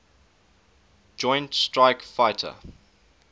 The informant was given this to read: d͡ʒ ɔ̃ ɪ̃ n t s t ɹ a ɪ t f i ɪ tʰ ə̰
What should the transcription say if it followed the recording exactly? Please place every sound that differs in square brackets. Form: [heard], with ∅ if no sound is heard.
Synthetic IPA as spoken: d͡ʒ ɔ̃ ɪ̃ n t s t ɹ a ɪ [k] f [a] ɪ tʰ ə̰